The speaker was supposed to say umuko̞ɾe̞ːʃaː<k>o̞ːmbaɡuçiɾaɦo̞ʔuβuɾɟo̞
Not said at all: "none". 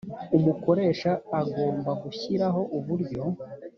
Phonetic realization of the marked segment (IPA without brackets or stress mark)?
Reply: ɡ